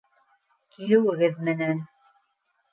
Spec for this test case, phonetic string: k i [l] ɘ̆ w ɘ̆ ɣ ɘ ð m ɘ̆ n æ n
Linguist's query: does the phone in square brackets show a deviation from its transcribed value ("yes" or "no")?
no